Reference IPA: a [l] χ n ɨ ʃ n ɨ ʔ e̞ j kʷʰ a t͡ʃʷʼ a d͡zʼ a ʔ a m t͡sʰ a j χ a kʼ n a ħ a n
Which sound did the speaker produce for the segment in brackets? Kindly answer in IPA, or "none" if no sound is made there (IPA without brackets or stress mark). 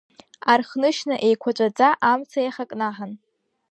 r